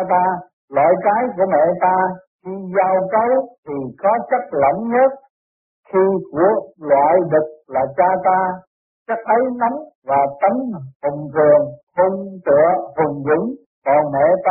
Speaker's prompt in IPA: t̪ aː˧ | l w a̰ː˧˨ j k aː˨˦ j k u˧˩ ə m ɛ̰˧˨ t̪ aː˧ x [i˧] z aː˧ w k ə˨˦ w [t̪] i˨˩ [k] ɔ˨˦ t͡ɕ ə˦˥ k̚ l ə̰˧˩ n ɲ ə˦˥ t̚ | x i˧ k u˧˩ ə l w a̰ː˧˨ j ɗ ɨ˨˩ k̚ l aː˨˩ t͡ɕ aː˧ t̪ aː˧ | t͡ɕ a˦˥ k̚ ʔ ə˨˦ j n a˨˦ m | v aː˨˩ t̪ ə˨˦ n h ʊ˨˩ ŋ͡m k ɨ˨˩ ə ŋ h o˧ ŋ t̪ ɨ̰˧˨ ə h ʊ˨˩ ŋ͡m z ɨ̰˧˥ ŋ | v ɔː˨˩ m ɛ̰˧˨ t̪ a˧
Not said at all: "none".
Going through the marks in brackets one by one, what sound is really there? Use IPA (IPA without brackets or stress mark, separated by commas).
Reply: i˧, t̪ʰ, k